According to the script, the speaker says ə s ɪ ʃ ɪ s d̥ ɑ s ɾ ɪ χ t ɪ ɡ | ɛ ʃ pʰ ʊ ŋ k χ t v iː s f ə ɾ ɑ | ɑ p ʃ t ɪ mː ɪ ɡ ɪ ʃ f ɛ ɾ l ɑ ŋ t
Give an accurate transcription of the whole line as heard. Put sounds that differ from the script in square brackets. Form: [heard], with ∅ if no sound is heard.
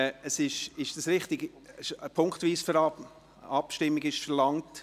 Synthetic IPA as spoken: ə s ɪ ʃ ɪ [ʃ] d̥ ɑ s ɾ ɪ χ t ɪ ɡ | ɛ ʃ pʰ ʊ ŋ k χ t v iː s f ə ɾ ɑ | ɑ p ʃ t ɪ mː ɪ ɡ ɪ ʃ f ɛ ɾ l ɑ ŋ t